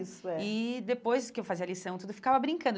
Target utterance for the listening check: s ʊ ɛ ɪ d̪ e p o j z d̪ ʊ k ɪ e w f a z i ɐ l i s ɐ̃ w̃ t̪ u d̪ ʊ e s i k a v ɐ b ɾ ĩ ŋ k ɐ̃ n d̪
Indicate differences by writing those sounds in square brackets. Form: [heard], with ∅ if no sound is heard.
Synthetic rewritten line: s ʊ ɛ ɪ d̪ e p o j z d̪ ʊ k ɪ e w f a z i ɐ l i s ɐ̃ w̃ t̪ u d̪ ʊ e [f] i k a v ɐ b ɾ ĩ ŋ k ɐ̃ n d̪